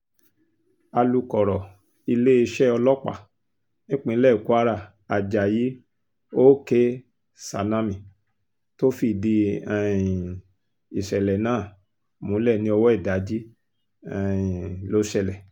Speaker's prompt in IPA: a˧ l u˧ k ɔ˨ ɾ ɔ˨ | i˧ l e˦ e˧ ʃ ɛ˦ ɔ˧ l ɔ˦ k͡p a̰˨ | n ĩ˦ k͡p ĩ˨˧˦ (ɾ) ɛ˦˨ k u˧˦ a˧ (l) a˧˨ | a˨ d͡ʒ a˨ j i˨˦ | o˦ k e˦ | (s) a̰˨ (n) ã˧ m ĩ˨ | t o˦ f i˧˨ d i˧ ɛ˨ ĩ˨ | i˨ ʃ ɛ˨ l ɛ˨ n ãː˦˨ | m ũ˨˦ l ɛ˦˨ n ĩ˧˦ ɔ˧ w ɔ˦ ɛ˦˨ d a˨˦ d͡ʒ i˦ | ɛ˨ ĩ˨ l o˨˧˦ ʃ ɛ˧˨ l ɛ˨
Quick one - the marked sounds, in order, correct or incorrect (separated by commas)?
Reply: incorrect, incorrect, correct, correct